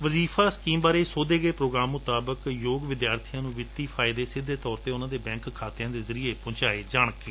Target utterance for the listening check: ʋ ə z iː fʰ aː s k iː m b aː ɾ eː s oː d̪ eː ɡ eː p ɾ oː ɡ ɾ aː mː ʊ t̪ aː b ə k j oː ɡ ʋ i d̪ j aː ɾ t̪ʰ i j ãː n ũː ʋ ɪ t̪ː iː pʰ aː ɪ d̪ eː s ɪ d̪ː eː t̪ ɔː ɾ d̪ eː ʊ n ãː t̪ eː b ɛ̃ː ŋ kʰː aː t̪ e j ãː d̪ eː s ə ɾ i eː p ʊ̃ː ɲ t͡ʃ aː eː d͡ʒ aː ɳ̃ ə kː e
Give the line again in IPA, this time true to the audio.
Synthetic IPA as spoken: ʋ ə z iː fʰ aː s k iː m b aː ɾ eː s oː d̪ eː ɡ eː p ɾ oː ɡ ɾ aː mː ʊ t̪ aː b ə k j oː ɡ ʋ ɪ d̪ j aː ɾ t̪ʰ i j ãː n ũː ʋ ɪ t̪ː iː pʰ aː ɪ d̪ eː s ɪ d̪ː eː t̪ ɔː ɾ t̪ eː ʊ n ãː d̪ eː b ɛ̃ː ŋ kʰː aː t̪ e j ãː d̪ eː z ə ɾ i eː p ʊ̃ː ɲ t͡ʃ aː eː d͡ʒ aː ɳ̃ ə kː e

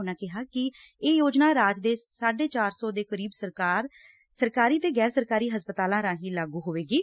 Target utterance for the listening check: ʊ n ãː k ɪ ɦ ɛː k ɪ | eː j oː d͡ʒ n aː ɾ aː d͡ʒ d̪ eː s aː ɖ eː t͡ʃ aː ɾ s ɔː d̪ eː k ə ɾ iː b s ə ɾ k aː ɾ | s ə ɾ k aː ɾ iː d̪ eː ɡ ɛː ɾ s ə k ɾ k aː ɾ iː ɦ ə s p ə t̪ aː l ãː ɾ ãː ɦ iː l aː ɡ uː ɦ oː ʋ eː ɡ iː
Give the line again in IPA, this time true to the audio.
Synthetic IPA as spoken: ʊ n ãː k ɪ ɦ aː k ɪ | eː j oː d͡ʒ n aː ɾ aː d͡ʒ d̪ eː s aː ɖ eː t͡ʃ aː ɾ s ɔː d̪ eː k ə ɾ iː b s ə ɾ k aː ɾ | s ə ɾ k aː ɾ iː t̪ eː ɡ ɛː ɾ s ə ɾ k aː ɾ iː ɦ ə s p ə t̪ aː l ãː ɾ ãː ɦ iː l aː ɡ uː ɦ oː ʋ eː ɡ iː

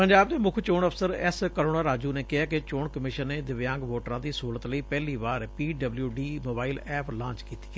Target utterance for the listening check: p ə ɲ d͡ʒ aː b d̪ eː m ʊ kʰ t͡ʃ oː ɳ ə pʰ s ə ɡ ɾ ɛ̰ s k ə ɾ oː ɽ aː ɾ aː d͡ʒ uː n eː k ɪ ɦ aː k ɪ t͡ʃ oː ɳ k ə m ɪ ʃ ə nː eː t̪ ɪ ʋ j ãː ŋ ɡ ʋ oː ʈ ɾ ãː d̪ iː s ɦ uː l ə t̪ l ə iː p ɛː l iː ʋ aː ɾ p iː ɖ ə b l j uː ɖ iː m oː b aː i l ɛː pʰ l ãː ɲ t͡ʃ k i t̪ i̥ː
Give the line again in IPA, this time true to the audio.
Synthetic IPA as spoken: p ə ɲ d͡ʒ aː b d̪ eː m ʊ kʰ t͡ʃ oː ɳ ə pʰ s ə ɾ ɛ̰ s k ə ɾ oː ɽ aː ɾ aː d͡ʒ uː n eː k ɪ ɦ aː k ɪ t͡ʃ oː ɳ k ə m ɪ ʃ ə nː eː d̪ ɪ ʋ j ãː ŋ ɡ ʋ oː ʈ ɾ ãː d̪ iː s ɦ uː l ə t̪ l ə iː p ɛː l iː ʋ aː ɾ p iː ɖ ə b l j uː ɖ iː m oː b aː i l ɛː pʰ l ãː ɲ t͡ʃ k iː t̪ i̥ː

